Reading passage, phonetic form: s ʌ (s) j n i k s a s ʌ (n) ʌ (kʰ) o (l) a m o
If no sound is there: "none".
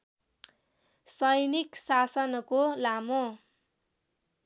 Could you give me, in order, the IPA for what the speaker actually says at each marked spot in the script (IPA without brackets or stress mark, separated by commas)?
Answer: none, n, k, l